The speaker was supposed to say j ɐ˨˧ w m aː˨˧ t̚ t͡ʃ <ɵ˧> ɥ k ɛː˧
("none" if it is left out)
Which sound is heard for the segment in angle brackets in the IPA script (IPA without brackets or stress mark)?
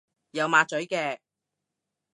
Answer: ɵ˨˥